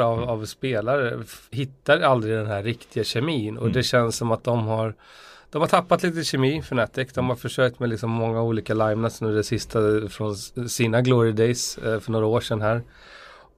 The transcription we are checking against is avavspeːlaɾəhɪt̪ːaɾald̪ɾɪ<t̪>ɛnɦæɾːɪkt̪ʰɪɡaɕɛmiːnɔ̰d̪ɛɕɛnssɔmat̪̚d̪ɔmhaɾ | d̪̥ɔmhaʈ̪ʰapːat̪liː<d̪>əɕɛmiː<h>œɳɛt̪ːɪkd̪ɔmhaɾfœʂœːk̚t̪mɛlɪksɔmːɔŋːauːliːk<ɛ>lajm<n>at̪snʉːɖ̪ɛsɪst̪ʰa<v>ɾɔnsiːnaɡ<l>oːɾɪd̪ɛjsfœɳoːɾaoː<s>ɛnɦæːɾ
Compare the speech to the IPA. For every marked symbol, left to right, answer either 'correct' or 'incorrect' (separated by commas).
incorrect, incorrect, incorrect, incorrect, correct, incorrect, correct, incorrect